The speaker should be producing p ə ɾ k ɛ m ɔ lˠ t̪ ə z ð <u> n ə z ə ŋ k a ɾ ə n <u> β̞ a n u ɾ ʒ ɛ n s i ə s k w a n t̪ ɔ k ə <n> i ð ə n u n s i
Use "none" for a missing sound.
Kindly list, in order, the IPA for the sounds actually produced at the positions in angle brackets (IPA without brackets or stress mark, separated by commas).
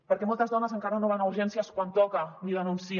ɔ, o, n